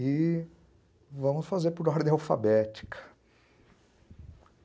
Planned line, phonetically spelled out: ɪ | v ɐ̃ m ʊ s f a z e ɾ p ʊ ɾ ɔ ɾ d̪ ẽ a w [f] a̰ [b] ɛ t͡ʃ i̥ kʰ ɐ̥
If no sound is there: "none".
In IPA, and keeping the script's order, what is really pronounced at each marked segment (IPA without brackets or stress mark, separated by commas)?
f, b